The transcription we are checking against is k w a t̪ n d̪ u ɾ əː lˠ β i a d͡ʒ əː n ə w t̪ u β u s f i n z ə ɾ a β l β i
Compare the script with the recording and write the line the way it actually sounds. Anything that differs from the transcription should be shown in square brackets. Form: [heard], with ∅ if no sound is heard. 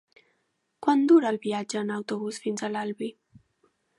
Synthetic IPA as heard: k w a [∅] n d̪ u ɾ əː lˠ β i a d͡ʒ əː n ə w t̪ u β u s f i n z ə [l] a [∅] l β i